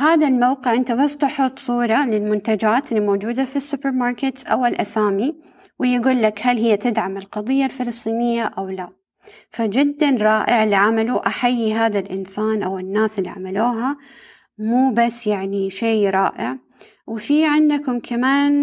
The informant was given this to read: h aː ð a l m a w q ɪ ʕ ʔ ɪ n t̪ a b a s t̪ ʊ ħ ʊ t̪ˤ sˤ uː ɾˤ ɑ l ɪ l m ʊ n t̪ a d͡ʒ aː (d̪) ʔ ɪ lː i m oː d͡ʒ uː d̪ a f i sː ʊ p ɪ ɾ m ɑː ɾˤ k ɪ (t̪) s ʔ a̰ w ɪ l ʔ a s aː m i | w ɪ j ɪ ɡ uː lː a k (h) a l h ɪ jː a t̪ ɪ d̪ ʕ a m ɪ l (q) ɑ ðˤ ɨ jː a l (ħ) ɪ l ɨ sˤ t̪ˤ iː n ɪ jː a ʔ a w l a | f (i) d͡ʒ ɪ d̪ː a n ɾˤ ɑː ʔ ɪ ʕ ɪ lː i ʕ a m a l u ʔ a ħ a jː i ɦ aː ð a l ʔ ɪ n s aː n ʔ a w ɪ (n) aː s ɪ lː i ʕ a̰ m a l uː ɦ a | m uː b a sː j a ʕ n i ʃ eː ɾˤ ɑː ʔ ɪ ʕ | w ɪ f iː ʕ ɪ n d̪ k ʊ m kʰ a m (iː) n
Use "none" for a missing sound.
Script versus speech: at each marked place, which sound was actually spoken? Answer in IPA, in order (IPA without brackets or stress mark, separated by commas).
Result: t̪, t̪, h, q, f, a, nː, aː